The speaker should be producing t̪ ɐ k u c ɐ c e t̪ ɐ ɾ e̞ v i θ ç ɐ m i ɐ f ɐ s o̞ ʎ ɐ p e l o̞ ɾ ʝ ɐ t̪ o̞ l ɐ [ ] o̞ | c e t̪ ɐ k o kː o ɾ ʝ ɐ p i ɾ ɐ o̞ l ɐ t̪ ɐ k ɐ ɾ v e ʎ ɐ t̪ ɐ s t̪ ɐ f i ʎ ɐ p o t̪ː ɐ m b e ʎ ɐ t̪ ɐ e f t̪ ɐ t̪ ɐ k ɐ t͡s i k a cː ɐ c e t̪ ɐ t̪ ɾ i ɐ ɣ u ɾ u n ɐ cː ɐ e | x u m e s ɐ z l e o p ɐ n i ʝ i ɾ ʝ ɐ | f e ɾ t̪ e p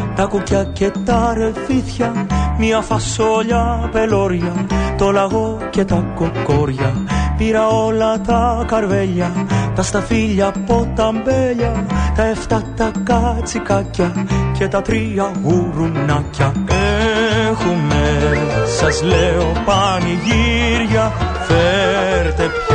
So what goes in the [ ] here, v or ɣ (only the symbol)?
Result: ɣ